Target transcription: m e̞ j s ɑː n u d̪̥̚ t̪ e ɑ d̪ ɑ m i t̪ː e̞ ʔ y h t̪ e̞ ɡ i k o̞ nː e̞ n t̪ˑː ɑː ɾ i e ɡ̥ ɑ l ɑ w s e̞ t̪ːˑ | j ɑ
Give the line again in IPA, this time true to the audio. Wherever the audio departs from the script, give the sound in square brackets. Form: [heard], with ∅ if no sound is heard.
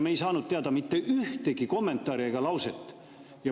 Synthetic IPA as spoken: m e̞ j s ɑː n u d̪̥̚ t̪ e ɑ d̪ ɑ m i t̪ː e̞ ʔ y h t̪ e̞ ɡ i k o̞ [mː] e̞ n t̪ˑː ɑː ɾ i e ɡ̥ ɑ l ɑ w s e̞ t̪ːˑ | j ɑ